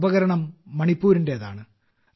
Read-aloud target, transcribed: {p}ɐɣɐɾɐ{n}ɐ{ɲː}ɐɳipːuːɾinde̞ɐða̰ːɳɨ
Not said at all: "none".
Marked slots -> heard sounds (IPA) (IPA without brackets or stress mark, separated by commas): b, ɳ, mː